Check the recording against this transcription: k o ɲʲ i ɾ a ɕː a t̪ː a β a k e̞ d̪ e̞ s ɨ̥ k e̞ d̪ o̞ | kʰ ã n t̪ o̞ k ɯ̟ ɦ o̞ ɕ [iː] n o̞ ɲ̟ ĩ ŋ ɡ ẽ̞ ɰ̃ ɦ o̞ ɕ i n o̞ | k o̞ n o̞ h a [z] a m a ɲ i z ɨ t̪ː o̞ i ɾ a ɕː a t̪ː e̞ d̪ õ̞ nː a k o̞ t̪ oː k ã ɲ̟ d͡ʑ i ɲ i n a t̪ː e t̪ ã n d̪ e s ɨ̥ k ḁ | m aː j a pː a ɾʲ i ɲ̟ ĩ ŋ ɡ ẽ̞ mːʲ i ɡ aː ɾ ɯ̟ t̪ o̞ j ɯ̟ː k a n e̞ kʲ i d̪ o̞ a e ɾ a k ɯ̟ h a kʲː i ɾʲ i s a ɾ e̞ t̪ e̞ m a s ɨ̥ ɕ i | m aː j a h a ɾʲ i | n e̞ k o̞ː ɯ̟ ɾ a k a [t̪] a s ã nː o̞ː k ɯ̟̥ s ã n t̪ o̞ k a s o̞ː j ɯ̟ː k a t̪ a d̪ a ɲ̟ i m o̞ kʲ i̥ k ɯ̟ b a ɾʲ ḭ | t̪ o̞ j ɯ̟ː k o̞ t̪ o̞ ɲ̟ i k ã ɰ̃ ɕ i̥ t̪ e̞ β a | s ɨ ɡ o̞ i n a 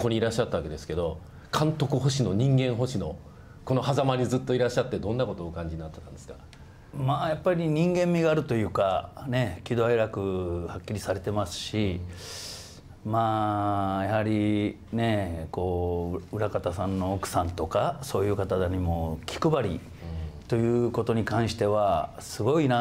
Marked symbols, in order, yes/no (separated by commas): no, yes, yes